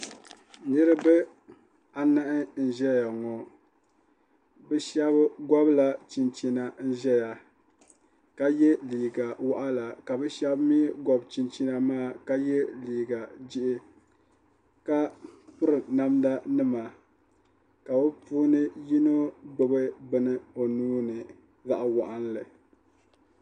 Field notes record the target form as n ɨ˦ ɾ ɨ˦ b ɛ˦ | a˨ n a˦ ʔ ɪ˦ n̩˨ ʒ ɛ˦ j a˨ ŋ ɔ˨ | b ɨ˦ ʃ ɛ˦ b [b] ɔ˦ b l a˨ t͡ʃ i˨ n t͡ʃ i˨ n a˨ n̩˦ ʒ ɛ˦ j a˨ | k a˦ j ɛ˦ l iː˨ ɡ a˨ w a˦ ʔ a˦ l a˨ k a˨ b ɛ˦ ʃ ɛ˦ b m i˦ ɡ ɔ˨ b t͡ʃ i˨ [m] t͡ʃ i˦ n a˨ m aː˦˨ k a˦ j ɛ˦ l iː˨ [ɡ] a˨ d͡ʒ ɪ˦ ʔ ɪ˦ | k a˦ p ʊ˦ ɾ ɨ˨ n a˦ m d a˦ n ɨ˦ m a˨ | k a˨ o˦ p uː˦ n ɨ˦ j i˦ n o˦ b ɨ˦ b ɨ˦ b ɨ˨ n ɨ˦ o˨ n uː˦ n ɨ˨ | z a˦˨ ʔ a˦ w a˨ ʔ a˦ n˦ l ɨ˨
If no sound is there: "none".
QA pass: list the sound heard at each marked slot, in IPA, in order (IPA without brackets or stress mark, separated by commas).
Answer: ɡ, n, ɡ